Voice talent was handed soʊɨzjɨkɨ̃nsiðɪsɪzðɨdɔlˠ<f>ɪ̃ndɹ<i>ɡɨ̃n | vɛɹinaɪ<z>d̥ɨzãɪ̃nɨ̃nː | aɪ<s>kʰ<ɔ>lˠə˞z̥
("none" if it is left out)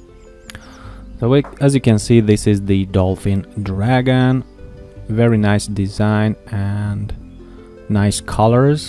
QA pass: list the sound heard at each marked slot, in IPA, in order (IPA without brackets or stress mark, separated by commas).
f, æ, s, s, ʌ